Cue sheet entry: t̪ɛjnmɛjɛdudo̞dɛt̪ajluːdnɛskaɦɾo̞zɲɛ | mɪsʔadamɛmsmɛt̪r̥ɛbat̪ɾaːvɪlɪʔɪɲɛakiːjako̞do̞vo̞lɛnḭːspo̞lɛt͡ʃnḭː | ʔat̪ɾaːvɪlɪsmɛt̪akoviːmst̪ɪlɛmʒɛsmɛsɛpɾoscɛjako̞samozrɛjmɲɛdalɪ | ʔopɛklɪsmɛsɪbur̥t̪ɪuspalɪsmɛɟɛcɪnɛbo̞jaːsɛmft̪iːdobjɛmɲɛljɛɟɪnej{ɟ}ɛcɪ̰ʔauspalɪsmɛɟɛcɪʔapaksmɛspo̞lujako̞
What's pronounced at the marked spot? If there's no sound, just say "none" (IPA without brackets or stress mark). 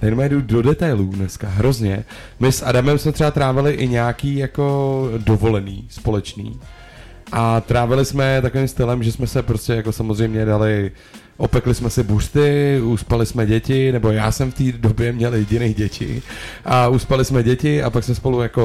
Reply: ɟ